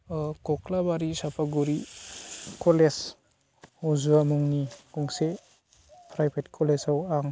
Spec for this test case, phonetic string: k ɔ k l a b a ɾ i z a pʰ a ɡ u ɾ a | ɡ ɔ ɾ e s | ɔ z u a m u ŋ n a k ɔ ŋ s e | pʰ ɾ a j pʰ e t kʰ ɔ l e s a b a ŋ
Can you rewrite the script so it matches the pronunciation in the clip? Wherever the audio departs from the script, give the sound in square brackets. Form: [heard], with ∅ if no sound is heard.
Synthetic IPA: k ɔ k l a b a ɾ i [s] a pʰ a ɡ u ɾ [i] | [k] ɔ [l] e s | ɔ z u a m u ŋ n [i] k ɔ ŋ s e | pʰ ɾ a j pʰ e t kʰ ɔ l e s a [w] a ŋ